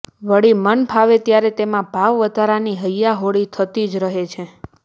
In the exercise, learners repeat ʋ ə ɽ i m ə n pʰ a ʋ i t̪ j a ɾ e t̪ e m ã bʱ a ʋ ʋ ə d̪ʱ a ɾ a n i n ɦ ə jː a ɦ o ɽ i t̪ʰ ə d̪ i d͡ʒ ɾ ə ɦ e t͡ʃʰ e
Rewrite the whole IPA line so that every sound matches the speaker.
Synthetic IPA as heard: ʋ ə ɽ i m ə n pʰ a ʋ e t̪ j a ɾ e t̪ e m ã bʱ a ʋ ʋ ə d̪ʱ a ɾ a n i ɦ ə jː a ɦ o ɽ i t̪ʰ ə t̪ i d͡ʒ ɾ ə ɦ e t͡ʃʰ e

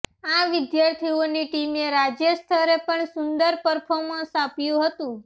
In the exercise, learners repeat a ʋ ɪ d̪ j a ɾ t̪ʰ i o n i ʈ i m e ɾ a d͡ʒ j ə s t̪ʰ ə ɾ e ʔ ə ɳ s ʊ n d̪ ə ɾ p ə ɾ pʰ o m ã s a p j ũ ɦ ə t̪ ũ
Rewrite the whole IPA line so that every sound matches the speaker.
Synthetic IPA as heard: a ʋ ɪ d̪ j a ɾ t̪ʰ i o n i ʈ i m e ɾ a d͡ʒ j ə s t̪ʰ ə ɾ e p ə ɳ s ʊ n d̪ ə ɾ p ə ɾ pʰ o m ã s a p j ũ ɦ ə t̪ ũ

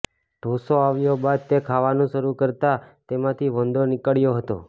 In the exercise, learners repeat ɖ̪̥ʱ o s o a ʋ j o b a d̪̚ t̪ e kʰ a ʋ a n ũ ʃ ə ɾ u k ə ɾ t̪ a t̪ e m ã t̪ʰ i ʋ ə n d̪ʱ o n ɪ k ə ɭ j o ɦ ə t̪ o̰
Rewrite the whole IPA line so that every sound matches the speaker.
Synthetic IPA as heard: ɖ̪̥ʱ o s o a ʋ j o b a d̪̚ t̪ e kʰ a ʋ a n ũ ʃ ə ɾ u k ə ɾ t̪ a t̪ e m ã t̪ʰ i ʋ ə n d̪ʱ o n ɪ k ə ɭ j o ɦ ə t̪ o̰

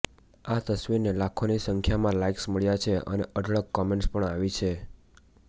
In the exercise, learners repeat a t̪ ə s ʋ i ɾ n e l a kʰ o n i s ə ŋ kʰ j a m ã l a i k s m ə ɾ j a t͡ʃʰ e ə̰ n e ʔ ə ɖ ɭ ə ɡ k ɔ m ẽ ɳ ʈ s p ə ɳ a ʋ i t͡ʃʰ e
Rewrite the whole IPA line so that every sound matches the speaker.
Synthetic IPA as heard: a t̪ ə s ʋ i ɾ n e l a kʰ o n i s ə ŋ kʰ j a m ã l a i k s m ə ɭ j a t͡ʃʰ e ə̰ n e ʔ ə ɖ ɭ ə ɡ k ɔ m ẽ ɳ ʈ s p ə ɳ a ʋ i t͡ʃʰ e

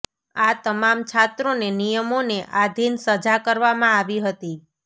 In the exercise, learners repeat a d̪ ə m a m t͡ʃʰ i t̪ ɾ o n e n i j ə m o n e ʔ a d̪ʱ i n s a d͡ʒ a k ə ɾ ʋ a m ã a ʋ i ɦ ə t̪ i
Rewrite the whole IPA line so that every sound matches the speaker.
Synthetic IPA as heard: a t̪ ə m a m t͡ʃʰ a t̪ ɾ o n e n i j ə m o n e ʔ a d̪ʱ i n s ə d͡ʒ a k ə ɾ ʋ a m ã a ʋ i ɦ ə t̪ i

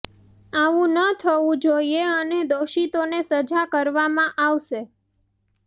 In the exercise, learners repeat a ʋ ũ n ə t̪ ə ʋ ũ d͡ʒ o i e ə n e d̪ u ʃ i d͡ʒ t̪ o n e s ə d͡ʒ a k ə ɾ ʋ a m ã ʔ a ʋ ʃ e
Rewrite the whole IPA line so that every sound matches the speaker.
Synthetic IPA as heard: a ʋ ũ n ə t̪ʰ ə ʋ ũ d͡ʒ o i e ə n e d̪ o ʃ i t̪ o n e s ə d͡ʒ a k ə ɾ ʋ a m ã ʔ a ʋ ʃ e

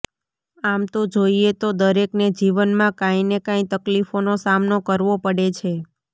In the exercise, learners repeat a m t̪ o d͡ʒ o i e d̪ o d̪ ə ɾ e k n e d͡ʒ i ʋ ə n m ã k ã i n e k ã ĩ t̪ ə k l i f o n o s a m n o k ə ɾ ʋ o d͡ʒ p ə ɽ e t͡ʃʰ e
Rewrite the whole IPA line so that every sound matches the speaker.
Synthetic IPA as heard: a m t̪ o d͡ʒ o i e t̪ o d̪ ə ɾ e k n e d͡ʒ i ʋ ə n m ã k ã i n e k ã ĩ t̪ ə k l i f o n o s a m n o k ə ɾ ʋ o p ə ɽ e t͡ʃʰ e

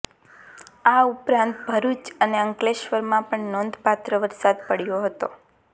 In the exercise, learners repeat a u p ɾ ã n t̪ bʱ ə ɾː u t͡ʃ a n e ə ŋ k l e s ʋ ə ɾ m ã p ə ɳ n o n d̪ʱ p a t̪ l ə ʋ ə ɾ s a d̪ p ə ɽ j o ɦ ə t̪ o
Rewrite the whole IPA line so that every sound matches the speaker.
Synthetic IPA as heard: a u p ɾ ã n t̪ bʱ ə ɾ u t͡ʃ ə n e ə ŋ k l e ʃ ʋ ə ɾ m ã p ə ɳ n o n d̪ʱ p a t̪ ɾ ə ʋ ə ɾ s a d̪ p ə ɽ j o ɦ ə t̪ o

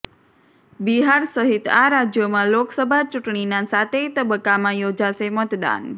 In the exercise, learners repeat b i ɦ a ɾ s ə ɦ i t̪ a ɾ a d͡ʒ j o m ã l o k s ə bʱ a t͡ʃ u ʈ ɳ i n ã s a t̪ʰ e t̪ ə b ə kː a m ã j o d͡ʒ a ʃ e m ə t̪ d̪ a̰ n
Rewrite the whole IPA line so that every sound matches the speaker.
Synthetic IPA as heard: b i ɦ a ɾ s ə ɦ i t̪ a ɾ a d͡ʒ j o m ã l o k s ə bʱ a t͡ʃ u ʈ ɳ i n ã s a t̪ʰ e t̪ ə b ə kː a m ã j o d͡ʒ a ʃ e m ə t̪ d̪ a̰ n

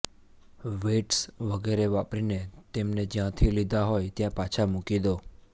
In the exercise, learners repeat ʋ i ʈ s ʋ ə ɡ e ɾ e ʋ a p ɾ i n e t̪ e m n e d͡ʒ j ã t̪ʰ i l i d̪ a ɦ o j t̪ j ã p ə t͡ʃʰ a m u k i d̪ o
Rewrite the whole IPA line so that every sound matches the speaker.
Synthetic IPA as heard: ʋ e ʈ s ʋ ə ɡ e ɾ e ʋ a p ɾ i n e t̪ e m n e d͡ʒ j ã t̪ʰ i l i d̪ a ɦ o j t̪ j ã p a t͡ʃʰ a m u k i d̪ o

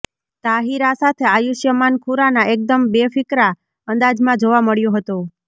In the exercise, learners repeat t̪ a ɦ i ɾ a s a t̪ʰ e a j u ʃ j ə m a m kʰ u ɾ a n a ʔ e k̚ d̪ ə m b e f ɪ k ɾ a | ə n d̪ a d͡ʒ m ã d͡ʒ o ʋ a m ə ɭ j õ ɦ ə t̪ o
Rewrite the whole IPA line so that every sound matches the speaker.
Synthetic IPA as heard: t̪ a ɦ i ɾ a s a t̪ʰ e a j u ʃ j ə m a n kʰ u ɾ a n a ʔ e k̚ d̪ ə m b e f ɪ k ɾ a | ə n d̪ a d͡ʒ m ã d͡ʒ o ʋ a m ə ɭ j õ ɦ ə t̪ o

